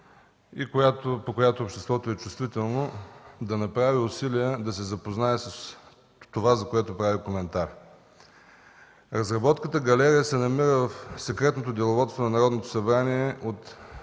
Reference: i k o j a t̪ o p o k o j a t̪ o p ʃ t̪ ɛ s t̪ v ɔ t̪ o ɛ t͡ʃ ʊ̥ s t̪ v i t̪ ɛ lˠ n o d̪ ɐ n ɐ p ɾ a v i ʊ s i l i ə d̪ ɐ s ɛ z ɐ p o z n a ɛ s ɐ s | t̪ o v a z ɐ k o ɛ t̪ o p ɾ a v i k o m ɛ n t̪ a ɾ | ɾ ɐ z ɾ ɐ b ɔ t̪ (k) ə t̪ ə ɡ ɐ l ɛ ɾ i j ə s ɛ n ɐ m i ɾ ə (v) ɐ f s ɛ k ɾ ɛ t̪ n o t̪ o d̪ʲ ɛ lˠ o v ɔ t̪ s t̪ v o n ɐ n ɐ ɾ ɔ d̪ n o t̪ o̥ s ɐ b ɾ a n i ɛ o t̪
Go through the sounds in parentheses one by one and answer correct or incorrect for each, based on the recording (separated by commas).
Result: correct, correct